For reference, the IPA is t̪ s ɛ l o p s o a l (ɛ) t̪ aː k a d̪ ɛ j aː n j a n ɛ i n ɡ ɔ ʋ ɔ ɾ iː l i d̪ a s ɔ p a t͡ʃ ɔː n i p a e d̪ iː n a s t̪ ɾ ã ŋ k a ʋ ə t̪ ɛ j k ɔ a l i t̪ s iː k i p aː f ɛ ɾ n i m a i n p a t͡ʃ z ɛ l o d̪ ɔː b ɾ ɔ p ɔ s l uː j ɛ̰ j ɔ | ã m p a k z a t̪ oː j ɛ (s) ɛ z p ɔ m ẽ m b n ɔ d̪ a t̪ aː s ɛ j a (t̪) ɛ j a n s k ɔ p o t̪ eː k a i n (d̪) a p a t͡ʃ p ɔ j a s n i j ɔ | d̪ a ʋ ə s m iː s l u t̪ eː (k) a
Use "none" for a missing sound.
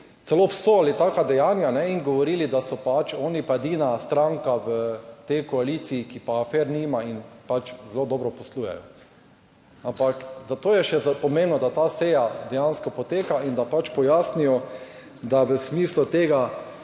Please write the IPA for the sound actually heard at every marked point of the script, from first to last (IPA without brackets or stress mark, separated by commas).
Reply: i, ʃ, d̪, d̪, ɡ